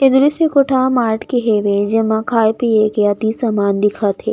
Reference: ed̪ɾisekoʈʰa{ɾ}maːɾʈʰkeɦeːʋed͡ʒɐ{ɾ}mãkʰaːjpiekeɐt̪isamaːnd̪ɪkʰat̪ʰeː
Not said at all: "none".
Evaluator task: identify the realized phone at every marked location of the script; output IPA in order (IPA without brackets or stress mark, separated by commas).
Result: none, none